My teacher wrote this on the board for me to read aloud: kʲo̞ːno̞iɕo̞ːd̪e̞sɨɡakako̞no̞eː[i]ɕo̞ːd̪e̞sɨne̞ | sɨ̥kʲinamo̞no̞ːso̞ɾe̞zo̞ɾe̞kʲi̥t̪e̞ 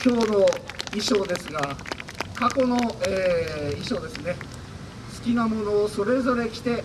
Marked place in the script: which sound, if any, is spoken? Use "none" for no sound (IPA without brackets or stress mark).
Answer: i